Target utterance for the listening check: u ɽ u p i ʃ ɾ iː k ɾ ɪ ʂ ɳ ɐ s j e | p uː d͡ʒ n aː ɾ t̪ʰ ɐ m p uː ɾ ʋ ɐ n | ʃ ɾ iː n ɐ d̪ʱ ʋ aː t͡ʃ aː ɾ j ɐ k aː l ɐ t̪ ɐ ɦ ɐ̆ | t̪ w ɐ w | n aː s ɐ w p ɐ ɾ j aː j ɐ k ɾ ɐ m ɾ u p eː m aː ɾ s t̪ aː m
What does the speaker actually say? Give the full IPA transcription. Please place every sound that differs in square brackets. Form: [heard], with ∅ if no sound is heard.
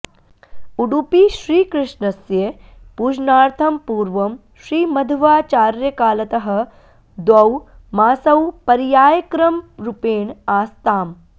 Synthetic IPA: u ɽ u p i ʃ ɾ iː k ɾ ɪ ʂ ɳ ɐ s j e | p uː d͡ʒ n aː ɾ t̪ʰ ɐ m p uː ɾ ʋ ɐ [m] | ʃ ɾ iː [m] ɐ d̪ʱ ʋ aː t͡ʃ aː ɾ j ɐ k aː l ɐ t̪ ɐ ɦ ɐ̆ | [d̪] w ɐ w | [m] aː s ɐ w p ɐ ɾ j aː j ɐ k ɾ ɐ m ɾ u p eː [ɳ] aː [∅] s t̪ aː m